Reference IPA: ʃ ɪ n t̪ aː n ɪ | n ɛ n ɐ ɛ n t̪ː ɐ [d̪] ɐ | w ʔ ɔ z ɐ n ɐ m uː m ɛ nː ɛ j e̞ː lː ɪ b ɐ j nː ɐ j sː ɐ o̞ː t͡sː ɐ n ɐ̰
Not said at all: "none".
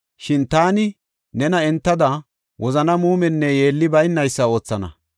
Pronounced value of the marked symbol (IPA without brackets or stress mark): d̪